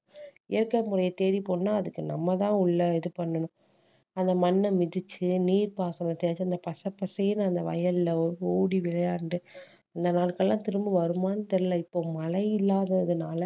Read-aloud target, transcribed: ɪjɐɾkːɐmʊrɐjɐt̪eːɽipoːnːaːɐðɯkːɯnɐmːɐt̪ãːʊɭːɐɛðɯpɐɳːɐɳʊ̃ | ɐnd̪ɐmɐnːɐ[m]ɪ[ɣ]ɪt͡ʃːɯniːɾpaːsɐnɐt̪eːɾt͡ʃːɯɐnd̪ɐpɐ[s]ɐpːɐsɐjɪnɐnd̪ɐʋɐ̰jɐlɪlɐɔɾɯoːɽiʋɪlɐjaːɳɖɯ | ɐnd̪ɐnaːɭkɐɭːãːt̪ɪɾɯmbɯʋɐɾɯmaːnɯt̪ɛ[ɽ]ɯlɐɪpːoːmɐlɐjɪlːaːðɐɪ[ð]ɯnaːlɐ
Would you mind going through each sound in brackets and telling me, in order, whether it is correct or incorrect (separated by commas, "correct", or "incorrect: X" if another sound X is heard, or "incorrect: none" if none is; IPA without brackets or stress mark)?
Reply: correct, incorrect: ð, correct, incorrect: ɾ, correct